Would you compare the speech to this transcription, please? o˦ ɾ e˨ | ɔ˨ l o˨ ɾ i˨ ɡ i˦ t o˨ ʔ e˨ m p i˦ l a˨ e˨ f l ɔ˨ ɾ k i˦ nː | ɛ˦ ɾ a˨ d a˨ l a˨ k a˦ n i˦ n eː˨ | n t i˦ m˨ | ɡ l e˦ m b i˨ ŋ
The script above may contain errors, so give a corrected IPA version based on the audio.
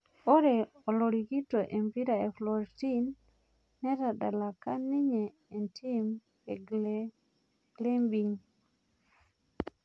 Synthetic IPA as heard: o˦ ɾ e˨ | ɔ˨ l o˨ ɾ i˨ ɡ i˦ t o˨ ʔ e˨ m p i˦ ɾ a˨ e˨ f l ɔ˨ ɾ t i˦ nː | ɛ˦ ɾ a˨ d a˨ l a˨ k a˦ n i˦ ɲ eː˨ | n t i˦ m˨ | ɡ l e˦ m b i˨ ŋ